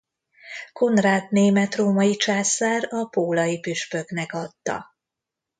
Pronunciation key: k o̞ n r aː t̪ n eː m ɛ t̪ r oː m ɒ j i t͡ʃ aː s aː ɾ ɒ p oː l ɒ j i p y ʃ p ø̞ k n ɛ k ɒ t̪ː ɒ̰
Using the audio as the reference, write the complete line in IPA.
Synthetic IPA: k o̞ n r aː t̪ n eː m ɛ t̪ r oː m ɒ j i t͡ʃ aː s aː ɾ ɒ p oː l ɒ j i p y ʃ p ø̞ k n ɛ k ɒ t̪ː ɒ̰